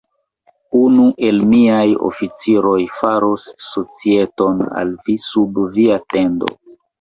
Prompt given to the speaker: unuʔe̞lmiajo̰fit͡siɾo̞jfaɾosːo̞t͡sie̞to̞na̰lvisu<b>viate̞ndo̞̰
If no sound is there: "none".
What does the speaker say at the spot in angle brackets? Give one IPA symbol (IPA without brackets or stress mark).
b